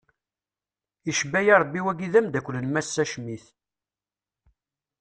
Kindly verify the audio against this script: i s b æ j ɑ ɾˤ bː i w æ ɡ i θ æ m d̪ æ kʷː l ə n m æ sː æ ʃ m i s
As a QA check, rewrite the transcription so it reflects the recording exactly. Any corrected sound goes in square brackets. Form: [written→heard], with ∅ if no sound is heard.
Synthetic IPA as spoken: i [s→ʃ] b æ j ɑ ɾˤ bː i w æ ɡ i [θ→ð] æ m d̪ æ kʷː l ə n m æ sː æ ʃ m i [s→θ]